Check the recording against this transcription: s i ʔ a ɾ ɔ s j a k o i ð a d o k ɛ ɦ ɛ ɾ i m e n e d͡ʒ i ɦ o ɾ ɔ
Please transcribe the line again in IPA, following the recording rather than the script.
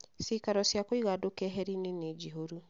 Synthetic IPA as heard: s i k a ɾ ɔ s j a k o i ɣ a d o k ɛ ɦ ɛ ɾ i n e n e d͡ʒ i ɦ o ɾ u